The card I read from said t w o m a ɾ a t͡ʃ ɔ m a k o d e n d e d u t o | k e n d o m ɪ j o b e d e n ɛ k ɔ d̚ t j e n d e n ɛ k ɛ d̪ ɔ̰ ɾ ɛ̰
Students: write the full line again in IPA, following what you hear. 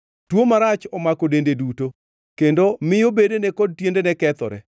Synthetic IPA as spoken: t w o m a ɾ a t͡ʃ ɔ m a k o d e n d e d u t o | k e n d o m ɪ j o b e d e n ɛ k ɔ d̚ t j e n d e n ɛ k ɛ t̪ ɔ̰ ɾ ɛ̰